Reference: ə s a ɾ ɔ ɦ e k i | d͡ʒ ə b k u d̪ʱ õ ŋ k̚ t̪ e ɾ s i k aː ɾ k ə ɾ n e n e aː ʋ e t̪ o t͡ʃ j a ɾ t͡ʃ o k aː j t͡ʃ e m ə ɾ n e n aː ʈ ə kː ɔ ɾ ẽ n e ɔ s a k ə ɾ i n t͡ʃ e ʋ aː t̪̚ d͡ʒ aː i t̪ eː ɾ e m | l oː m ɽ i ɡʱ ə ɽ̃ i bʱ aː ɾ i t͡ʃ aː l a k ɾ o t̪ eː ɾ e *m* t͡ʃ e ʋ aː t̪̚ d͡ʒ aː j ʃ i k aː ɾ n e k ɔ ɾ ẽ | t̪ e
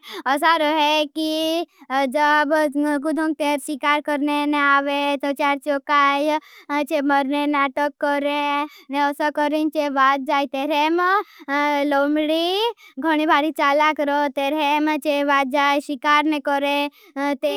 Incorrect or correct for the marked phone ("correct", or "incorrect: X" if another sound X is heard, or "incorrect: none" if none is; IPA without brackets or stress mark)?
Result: correct